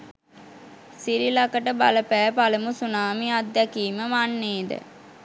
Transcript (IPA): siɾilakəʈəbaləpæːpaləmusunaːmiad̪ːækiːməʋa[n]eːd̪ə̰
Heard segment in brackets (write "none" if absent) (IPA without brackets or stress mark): nː